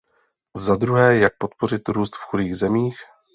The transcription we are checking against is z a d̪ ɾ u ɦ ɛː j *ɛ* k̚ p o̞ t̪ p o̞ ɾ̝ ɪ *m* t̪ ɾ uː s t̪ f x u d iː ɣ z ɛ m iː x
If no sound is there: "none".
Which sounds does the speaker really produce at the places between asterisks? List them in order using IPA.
a, none

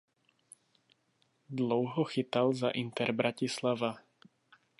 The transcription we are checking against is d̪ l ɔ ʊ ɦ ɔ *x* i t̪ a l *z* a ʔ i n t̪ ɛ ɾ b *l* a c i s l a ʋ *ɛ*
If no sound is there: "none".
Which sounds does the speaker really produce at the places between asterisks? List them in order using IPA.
x, z, ɾ, a

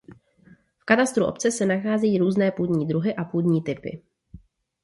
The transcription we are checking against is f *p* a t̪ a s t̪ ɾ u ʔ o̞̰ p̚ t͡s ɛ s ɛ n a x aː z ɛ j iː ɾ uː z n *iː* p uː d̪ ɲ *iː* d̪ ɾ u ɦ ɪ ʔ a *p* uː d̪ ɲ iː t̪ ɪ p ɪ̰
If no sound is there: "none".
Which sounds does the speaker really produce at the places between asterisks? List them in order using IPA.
k, ɛː, iː, p

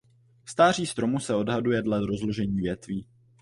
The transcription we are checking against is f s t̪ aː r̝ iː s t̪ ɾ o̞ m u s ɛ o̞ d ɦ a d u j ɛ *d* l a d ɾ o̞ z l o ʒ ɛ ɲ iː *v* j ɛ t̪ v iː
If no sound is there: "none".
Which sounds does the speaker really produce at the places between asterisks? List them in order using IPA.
d, v

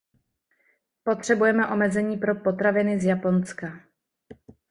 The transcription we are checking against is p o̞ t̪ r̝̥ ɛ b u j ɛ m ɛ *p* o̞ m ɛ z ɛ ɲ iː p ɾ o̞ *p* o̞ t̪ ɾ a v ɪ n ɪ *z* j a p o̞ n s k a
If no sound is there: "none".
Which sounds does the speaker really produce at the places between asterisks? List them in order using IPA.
ʔ, p, z

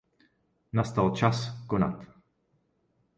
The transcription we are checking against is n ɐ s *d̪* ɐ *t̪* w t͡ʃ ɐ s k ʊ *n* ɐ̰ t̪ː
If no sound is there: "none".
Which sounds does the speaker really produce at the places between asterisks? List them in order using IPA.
t̪, none, n

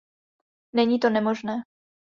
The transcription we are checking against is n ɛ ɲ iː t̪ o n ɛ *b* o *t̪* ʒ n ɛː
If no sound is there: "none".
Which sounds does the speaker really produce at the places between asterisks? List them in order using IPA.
m, none

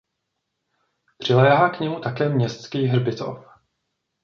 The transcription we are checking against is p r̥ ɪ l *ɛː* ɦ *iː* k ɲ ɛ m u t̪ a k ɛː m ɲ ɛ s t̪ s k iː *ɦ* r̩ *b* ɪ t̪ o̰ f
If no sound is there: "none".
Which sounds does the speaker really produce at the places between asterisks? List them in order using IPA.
ɛː, aː, ɦ, b

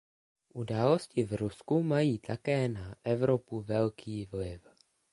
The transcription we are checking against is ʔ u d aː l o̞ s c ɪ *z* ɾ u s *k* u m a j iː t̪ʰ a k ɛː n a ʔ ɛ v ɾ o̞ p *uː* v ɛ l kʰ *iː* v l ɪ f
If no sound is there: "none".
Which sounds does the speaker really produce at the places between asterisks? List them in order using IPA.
v, k, u, iː

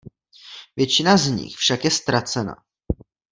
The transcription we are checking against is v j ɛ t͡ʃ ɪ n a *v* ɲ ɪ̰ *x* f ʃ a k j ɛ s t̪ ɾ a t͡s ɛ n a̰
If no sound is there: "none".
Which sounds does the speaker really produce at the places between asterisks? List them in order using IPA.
z, x

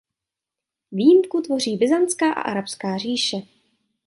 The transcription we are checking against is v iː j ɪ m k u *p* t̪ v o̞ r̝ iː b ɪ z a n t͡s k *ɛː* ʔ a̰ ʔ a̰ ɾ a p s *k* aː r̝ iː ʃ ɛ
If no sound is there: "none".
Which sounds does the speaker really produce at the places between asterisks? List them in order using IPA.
none, aː, k

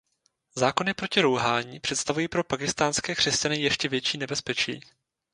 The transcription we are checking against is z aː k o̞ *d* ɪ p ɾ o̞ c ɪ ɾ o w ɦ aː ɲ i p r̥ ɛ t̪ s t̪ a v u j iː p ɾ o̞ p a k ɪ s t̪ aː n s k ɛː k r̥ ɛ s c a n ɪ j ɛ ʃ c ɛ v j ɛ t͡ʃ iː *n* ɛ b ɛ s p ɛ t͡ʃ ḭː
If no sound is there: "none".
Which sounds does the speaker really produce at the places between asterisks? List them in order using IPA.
n, n

